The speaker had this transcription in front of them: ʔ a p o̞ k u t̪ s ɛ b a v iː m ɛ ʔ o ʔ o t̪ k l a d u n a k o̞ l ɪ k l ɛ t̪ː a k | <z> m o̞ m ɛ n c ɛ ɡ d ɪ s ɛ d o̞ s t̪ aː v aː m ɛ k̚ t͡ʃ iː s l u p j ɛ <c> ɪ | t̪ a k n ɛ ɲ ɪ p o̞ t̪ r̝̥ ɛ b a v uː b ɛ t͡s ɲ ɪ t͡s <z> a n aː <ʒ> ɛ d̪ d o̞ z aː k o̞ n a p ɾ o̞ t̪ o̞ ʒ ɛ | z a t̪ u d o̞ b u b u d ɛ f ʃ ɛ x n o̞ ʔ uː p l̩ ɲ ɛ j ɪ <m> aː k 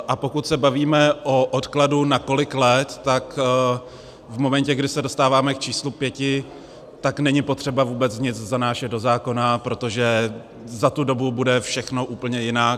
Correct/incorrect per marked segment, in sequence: incorrect, correct, correct, incorrect, incorrect

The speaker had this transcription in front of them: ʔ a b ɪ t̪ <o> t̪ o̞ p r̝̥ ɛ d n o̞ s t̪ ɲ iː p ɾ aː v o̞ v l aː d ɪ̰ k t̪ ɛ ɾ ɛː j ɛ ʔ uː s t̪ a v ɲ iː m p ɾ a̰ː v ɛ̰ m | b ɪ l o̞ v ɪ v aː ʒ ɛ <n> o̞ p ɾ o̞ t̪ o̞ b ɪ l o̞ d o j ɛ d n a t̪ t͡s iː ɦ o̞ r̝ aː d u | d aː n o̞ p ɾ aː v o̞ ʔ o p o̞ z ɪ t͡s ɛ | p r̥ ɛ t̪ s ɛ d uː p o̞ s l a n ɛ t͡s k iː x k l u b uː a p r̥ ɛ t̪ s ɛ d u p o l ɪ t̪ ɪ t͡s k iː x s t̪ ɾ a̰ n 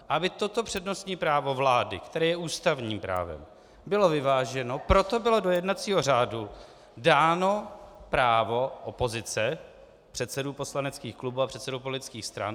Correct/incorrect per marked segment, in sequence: correct, correct

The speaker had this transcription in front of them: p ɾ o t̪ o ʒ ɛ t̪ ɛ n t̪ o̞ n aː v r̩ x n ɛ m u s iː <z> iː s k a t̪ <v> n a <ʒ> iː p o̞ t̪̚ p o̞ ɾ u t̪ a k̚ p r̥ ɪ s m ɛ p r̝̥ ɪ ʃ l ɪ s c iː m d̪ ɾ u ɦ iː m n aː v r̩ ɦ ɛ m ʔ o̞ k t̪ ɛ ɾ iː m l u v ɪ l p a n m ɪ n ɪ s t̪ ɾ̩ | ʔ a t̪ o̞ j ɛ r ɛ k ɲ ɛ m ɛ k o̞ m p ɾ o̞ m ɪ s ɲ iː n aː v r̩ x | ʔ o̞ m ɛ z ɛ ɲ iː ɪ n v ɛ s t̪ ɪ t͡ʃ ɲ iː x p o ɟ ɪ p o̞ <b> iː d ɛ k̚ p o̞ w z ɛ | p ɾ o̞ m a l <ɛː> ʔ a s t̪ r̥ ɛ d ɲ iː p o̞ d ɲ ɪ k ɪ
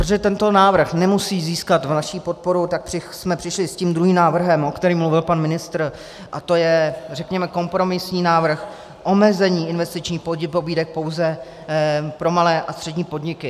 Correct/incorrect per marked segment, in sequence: correct, correct, incorrect, correct, correct

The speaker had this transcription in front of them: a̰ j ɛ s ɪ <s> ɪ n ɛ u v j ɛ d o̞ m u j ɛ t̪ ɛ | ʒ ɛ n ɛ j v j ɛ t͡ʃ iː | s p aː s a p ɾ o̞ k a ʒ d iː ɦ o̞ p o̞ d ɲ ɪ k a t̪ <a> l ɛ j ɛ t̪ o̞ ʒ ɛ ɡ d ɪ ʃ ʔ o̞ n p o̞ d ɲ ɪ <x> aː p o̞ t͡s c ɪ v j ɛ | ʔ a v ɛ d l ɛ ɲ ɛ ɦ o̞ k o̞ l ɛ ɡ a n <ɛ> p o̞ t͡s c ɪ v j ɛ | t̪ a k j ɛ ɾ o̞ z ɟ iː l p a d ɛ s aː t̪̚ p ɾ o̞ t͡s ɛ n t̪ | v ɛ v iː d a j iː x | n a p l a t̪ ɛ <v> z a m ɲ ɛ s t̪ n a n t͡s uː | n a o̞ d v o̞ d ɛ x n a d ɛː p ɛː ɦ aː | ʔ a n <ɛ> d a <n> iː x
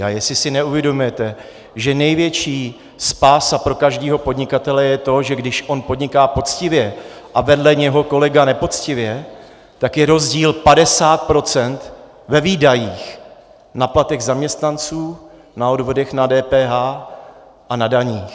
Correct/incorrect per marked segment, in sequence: correct, incorrect, incorrect, correct, incorrect, incorrect, incorrect

